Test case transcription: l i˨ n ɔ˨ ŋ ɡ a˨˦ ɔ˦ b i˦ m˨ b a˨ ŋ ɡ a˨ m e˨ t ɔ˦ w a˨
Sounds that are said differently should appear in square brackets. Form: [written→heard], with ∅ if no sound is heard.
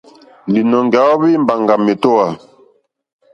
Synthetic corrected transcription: l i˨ n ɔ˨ ŋ ɡ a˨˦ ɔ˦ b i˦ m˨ b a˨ ŋ ɡ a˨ m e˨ t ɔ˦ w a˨